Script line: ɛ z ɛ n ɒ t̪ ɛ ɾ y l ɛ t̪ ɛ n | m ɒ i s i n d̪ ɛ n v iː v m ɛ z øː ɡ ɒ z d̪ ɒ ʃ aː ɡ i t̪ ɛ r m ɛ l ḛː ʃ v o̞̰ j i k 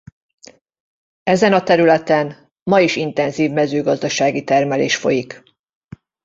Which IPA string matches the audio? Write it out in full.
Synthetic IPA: ɛ z ɛ n ɒ t̪ ɛ ɾ y l ɛ t̪ ɛ n | m ɒ i ʃ i n t̪ ɛ n z iː v m ɛ z øː ɡ ɒ z d̪ ɒ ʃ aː ɡ i t̪ ɛ r m ɛ l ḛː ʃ f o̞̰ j i k